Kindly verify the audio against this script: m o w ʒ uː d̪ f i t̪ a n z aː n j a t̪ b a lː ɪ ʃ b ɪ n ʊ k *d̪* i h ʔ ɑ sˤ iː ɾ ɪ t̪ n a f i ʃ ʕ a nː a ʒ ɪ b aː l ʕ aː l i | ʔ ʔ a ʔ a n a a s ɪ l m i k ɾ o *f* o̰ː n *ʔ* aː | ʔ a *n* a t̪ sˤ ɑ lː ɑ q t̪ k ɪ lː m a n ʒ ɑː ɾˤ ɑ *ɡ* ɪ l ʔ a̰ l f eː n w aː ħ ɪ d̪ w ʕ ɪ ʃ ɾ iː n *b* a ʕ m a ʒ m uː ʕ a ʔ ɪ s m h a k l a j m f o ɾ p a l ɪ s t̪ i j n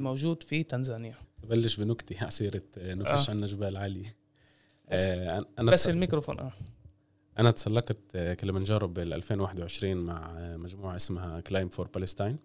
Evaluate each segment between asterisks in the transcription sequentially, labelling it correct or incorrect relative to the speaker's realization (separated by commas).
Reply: incorrect, correct, correct, correct, incorrect, incorrect